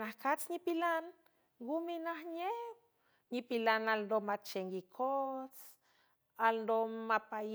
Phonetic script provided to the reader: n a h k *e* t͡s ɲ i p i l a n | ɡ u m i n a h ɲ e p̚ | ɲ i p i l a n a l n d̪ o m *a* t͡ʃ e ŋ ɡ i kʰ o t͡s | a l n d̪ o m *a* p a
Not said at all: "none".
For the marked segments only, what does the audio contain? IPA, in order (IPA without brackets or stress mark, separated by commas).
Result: a, a, a